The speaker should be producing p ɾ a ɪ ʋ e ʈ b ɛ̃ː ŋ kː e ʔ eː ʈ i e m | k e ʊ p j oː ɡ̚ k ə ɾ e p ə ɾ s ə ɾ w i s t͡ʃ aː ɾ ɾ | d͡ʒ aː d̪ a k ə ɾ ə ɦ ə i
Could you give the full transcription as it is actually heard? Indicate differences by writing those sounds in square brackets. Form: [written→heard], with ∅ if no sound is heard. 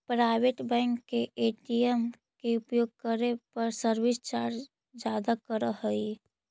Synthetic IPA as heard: p ɾ a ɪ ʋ e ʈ b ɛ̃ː ŋ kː e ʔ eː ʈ i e m | k e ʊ p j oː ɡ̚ k ə ɾ e p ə ɾ s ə ɾ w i s t͡ʃ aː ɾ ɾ | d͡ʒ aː d̪ a k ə ɾ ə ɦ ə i

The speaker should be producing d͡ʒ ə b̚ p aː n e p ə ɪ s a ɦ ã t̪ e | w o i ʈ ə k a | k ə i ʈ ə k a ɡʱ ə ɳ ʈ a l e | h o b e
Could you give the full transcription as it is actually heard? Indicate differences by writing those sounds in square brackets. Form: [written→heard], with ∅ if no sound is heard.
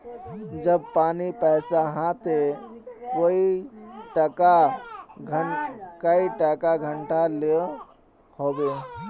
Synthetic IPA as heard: d͡ʒ ə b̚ p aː n [e→i] p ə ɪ s a ɦ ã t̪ e | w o i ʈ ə k a | k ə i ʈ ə k a ɡʱ ə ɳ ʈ a l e | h o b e

